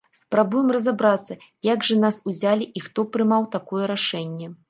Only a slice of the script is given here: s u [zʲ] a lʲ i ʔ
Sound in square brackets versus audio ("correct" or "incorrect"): correct